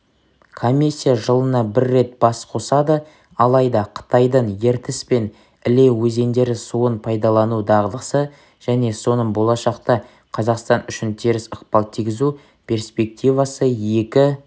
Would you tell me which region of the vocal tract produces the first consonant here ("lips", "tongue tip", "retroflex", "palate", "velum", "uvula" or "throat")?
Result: velum